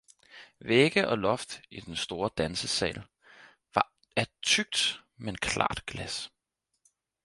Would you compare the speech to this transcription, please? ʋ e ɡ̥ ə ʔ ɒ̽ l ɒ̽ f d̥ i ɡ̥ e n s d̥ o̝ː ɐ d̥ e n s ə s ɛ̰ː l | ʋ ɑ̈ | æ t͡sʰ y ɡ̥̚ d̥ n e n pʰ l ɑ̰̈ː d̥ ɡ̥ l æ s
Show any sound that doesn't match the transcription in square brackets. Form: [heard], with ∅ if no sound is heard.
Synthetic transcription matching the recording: ʋ e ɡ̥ ə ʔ ɒ̽ l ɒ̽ f d̥ i [d̥] e n s d̥ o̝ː ɐ d̥ [æ] n s ə s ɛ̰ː l | ʋ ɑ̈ | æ t͡sʰ y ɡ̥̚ d̥ [m] e n [kʰ] l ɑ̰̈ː d̥ ɡ̥ l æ s

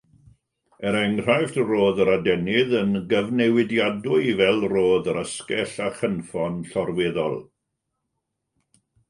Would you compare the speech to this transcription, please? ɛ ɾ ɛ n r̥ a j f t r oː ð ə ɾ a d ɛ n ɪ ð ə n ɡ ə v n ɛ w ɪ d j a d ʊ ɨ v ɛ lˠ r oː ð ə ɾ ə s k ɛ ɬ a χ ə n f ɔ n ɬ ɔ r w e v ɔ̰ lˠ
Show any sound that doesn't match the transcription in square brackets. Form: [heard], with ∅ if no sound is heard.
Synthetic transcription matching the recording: ɛ ɾ ɛ [ŋ] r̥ a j f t r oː ð ə ɾ a d ɛ n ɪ ð ə n ɡ ə v n ɛ w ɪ d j a d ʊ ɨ v ɛ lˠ r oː ð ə ɾ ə s k ɛ ɬ a χ ə n f ɔ n ɬ ɔ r w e [ð] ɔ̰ lˠ

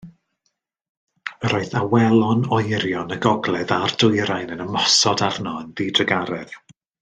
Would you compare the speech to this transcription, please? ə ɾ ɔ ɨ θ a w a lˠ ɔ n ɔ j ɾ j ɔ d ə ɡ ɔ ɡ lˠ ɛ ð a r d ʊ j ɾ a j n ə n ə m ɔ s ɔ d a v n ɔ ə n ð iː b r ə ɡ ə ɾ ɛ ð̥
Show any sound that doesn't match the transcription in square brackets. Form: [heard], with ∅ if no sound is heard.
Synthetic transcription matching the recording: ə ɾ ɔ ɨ θ a w [ɛ] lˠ ɔ n ɔ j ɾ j ɔ [n] ə ɡ ɔ ɡ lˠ ɛ ð a r d ʊ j ɾ a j n ə n ə m ɔ s ɔ d a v n ɔ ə n ð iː [d] r ə ɡ [a] ɾ ɛ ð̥

